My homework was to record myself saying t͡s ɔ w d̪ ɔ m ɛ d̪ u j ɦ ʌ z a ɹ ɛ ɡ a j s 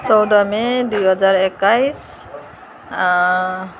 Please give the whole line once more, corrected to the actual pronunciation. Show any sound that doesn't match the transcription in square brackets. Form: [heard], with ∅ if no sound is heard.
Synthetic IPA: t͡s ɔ w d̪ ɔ m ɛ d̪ u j ɦ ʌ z a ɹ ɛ [k] a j s

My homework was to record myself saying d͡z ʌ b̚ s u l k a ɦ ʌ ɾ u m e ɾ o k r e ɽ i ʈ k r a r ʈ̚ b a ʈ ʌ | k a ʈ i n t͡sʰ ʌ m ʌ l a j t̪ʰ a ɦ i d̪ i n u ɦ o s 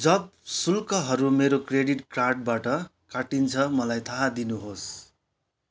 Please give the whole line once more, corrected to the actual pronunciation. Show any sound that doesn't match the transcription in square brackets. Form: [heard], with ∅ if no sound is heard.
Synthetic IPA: d͡z ʌ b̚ s u l k [ʌ] ɦ ʌ ɾ u m e ɾ o k r e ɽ i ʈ k r a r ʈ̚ b a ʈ ʌ | k a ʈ i n t͡sʰ ʌ m ʌ l a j t̪ʰ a ɦ [a] d̪ i n u ɦ o s

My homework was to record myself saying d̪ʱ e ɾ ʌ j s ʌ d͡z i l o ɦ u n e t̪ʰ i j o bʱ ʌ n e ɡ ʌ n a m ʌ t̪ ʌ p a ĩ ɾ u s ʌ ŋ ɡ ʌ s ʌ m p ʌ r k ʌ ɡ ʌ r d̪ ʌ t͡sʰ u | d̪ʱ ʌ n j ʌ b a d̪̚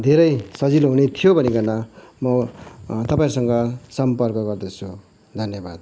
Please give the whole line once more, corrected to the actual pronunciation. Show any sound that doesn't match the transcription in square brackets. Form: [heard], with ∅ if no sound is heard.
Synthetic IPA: d̪ʱ e ɾ ʌ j s ʌ d͡z i l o ɦ u n e t̪ʰ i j o bʱ ʌ n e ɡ ʌ n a m ʌ t̪ ʌ p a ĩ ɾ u s ʌ ŋ ɡ ʌ s ʌ m p ʌ r k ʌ ɡ ʌ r d̪ ʌ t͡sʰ u | d̪ʱ ʌ n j ʌ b a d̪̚

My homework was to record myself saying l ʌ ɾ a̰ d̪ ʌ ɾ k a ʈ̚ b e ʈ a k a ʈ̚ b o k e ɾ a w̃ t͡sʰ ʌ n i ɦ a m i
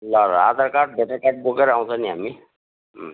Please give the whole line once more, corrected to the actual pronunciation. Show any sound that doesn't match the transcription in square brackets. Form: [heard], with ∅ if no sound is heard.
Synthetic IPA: l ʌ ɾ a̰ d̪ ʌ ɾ k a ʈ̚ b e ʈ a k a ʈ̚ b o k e ɾ a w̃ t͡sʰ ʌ n i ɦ a m i

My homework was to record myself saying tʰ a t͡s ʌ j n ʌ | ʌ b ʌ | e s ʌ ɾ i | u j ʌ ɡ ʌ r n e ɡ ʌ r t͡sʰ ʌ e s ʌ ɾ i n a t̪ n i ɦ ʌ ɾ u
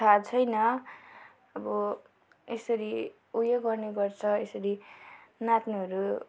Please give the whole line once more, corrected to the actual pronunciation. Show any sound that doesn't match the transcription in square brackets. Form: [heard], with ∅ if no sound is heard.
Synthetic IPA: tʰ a [t͡sʰ] ʌ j n ʌ | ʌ b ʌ | e s ʌ ɾ i | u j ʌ ɡ ʌ r n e ɡ ʌ r t͡sʰ ʌ e s ʌ ɾ i n a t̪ n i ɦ ʌ ɾ u

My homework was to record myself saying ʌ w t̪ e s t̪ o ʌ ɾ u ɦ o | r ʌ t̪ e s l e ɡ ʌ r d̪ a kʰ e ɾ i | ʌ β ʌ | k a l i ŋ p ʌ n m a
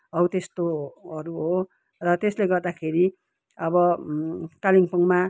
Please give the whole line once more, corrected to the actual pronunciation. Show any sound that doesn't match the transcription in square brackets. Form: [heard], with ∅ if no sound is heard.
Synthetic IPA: ʌ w t̪ e s t̪ o ʌ ɾ u ɦ o | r ʌ t̪ e s l e ɡ ʌ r d̪ a kʰ e ɾ i | ʌ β ʌ | k a l i ŋ p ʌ [ŋ] m a

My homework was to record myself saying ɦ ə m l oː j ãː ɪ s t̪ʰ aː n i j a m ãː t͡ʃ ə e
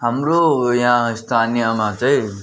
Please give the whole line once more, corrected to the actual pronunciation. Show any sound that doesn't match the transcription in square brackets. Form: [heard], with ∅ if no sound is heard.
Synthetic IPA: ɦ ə m [ɾ] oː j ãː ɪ s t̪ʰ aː n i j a m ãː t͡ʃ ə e

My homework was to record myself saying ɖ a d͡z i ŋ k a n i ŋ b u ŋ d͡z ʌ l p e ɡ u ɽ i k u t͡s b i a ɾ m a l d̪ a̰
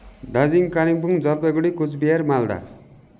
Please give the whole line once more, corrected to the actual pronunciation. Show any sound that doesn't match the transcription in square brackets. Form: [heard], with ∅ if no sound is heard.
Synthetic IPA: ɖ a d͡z i ŋ k a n i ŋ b u ŋ d͡z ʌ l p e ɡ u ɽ i k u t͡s b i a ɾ m a l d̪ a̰

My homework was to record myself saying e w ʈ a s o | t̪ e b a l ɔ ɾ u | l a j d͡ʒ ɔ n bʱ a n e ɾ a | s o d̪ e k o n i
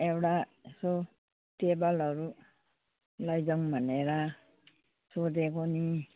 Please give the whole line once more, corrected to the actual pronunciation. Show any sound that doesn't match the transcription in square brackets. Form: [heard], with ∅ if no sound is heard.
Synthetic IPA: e w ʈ a s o | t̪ e b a l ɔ ɾ u | l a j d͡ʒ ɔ [ŋ] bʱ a n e ɾ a | s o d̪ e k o n i

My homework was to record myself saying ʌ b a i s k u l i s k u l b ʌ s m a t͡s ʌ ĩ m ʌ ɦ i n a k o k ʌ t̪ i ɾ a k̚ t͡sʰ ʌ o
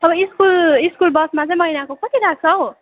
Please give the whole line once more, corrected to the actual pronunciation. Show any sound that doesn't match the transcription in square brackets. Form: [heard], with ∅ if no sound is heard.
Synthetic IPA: ʌ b [ʌ] i s k u l i s k u l b ʌ s m a t͡s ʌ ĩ m ʌ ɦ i n a k o k ʌ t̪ i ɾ a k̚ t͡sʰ ʌ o

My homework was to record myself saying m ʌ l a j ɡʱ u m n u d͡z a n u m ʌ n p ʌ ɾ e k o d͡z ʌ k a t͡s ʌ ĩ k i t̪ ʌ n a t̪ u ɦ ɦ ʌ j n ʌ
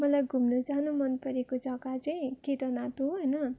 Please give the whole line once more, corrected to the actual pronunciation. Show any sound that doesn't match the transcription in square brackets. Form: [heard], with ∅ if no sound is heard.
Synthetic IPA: m ʌ l a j ɡʱ u m n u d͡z a n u m ʌ n p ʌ ɾ e k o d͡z ʌ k a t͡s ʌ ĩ k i t̪ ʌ n a t̪ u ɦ ɦ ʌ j n ʌ

